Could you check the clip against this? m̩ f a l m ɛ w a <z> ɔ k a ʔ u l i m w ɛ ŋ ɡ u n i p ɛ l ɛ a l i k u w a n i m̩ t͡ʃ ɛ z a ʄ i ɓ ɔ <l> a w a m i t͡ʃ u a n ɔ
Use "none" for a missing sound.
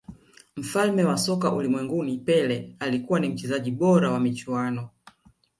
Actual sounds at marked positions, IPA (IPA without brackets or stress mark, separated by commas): s, ɾ